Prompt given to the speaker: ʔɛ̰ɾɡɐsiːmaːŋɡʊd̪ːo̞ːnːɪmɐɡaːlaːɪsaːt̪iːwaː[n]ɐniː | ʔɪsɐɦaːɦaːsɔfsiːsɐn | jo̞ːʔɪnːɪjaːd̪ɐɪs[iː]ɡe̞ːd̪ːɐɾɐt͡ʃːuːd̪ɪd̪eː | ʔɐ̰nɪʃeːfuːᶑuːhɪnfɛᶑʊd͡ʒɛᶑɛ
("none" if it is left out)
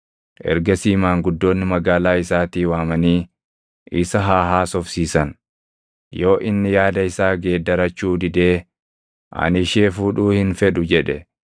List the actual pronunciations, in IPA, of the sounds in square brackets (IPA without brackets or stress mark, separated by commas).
m, aː